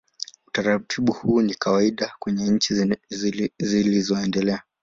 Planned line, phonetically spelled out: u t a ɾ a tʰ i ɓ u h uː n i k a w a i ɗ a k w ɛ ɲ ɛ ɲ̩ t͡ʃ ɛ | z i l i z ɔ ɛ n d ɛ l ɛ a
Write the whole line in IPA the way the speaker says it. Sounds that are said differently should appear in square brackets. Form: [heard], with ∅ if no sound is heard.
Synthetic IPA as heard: u t a ɾ a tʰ i ɓ u h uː n i k a w a i ɗ a k w ɛ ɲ ɛ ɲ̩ t͡ʃ [i] | z i l i z ɔ ɛ n d ɛ l ɛ a